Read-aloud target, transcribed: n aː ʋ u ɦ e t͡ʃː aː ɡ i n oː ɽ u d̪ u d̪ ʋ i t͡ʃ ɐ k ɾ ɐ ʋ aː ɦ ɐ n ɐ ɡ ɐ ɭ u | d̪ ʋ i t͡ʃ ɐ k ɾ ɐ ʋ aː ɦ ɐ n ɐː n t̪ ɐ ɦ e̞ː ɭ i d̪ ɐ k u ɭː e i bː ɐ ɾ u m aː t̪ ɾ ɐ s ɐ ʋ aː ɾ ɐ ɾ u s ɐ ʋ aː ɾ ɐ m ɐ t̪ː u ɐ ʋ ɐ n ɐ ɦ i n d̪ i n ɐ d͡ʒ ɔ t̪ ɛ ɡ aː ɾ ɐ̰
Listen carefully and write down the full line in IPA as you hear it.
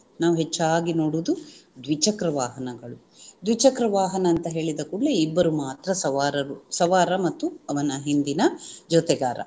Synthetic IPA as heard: n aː ʋ u ɦ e t͡ʃː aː ɡ i n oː ɽ u d̪ u d̪ ʋ i t͡ʃ ɐ k ɾ ɐ ʋ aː ɦ ɐ n ɐ ɡ ɐ ɭ u | d̪ ʋ i t͡ʃ ɐ k ɾ ɐ ʋ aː ɦ ɐ n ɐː n t̪ ɐ ɦ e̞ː ɭ i d̪ ɐ k u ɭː e i bː ɐ ɾ u m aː t̪ ɾ ɐ s ɐ ʋ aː ɾ ɐ ɾ u s ɐ ʋ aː ɾ ɐ m ɐ t̪ː u ɐ ʋ ɐ n ɐ ɦ i n d̪ i n ɐ d͡ʒ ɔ t̪ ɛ ɡ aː ɾ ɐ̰